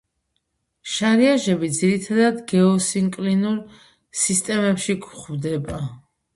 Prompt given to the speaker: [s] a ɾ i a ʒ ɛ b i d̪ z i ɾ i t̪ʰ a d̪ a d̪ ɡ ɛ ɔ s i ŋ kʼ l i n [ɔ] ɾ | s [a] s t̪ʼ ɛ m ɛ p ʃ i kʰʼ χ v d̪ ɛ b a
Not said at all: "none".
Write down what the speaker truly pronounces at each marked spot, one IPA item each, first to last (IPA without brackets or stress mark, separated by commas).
ʃ, u, i